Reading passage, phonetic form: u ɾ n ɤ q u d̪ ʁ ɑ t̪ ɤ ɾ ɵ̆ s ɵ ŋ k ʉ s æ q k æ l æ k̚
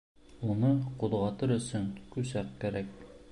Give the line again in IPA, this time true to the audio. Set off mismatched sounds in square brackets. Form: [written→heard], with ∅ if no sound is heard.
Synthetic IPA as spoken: u [ɾ→∅] n ɤ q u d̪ ʁ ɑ t̪ ɤ ɾ ɵ̆ s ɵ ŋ k ʉ s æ q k æ [l→ɾ] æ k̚

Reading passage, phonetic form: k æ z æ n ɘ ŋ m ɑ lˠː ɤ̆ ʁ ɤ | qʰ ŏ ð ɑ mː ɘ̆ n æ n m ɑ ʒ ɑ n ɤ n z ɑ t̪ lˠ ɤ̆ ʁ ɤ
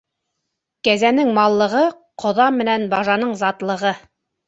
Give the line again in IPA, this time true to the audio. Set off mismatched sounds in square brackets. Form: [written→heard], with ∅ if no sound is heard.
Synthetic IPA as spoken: k æ z æ n ɘ ŋ m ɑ lˠː ɤ̆ ʁ ɤ | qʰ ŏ ð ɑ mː ɘ̆ n æ n [m→b] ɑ ʒ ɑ n ɤ [n→ɴ] z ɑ t̪ lˠ ɤ̆ ʁ ɤ

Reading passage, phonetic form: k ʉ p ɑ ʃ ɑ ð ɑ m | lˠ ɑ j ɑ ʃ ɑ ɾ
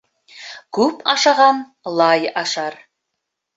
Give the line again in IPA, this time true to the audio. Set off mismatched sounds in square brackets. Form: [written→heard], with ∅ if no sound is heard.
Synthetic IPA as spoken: k ʉ p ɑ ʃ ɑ [ð→ʁ] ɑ [m→n] | lˠ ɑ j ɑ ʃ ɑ ɾ

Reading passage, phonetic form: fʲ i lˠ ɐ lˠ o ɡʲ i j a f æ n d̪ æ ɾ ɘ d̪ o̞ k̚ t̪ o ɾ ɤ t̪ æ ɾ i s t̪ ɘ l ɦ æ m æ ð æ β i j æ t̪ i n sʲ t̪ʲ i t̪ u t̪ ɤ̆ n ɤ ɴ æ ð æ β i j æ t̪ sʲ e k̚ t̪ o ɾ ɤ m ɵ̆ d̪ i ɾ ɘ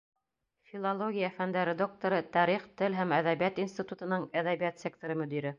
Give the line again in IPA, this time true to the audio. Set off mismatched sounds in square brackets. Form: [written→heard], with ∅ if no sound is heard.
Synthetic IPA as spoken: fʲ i lˠ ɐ lˠ o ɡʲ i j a f æ n d̪ æ ɾ ɘ d̪ o̞ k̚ t̪ o ɾ ɤ t̪ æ ɾ i [s→χ] t̪ ɘ l ɦ æ m æ ð æ β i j æ t̪ i n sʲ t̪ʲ i t̪ u t̪ ɤ̆ n ɤ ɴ æ ð æ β i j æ t̪ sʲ e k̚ t̪ o ɾ ɤ m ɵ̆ d̪ i ɾ ɘ

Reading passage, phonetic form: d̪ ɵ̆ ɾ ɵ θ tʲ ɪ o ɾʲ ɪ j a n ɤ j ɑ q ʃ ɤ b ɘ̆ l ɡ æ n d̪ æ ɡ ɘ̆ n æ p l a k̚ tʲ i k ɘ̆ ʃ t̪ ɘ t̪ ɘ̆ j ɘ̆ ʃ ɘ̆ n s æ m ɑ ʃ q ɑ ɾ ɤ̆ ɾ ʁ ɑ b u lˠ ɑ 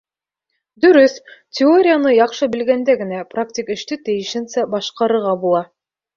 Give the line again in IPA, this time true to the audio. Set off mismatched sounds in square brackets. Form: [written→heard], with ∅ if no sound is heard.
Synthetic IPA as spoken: d̪ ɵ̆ ɾ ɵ θ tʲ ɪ o ɾʲ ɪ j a n ɤ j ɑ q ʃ ɤ b ɘ̆ l ɡ æ n d̪ æ ɡ ɘ̆ n æ p [l→r] a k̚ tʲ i k ɘ̆ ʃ t̪ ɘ t̪ ɘ̆ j ɘ̆ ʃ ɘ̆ n s æ [m→b] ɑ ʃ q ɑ ɾ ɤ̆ ɾ ʁ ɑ b u lˠ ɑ

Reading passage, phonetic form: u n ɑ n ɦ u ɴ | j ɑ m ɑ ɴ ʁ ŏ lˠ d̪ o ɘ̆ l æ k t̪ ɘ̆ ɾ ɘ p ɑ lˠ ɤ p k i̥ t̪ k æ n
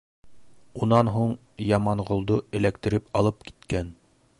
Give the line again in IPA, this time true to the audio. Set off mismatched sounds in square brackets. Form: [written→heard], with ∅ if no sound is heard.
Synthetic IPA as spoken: u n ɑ n ɦ u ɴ | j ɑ m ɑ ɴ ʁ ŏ lˠ d̪ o ɘ̆ l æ k t̪ ɘ̆ ɾ ɘ p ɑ lˠ ɤ p k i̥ t̪ k æ n

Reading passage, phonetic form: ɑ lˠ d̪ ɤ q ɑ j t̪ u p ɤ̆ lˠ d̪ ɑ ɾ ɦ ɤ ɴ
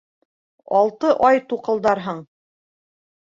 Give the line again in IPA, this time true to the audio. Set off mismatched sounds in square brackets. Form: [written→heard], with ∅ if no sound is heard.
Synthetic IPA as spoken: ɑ lˠ [d̪→t̪] ɤ [q→ʔ] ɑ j t̪ u [p→q] ɤ̆ lˠ d̪ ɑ ɾ ɦ ɤ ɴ

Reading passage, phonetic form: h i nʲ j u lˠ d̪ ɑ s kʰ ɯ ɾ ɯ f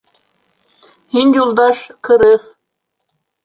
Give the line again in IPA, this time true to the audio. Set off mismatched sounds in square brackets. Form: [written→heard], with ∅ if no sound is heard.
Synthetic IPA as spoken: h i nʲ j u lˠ d̪ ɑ [s→ʃ] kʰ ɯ ɾ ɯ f

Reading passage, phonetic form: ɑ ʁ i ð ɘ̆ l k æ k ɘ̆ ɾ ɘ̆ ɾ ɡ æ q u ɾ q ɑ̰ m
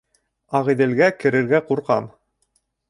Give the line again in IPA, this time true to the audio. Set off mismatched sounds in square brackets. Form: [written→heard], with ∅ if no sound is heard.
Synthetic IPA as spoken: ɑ ʁ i ð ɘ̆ l [k→ɡ] æ k ɘ̆ ɾ ɘ̆ ɾ ɡ æ q u ɾ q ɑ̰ m

